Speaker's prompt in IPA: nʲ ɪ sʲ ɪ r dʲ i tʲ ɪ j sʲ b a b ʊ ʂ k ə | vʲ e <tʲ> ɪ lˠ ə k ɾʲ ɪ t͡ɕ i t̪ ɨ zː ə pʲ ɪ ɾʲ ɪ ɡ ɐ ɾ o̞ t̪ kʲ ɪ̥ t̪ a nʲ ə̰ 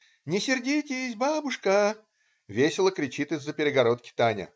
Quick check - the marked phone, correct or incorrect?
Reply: incorrect